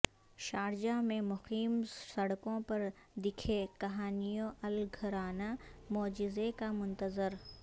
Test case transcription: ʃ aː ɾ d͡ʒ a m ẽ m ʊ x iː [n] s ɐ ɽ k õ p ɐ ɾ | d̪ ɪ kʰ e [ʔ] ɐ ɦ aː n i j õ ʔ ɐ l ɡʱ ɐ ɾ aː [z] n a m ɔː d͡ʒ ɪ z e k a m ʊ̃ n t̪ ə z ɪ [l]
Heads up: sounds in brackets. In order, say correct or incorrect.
incorrect, incorrect, incorrect, incorrect

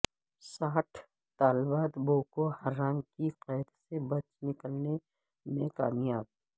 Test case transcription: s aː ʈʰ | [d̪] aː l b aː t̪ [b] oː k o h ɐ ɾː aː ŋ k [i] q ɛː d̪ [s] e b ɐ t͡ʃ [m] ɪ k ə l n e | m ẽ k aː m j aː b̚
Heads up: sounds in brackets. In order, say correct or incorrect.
incorrect, correct, correct, correct, incorrect

